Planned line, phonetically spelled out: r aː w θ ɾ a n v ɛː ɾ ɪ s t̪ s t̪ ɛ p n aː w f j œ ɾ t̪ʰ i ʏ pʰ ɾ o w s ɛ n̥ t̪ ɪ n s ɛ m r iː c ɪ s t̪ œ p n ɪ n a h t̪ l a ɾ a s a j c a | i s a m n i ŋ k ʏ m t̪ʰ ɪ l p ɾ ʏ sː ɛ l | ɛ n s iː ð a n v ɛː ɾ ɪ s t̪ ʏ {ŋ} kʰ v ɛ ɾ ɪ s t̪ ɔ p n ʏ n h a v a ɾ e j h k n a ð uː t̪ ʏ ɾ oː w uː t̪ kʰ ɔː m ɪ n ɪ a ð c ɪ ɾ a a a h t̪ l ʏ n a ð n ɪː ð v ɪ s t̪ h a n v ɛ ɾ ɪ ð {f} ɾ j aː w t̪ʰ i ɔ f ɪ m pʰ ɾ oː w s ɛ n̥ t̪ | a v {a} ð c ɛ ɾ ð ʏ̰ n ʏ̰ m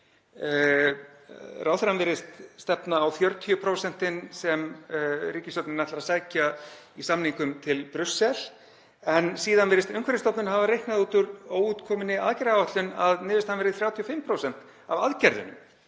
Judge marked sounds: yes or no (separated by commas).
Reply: yes, no, yes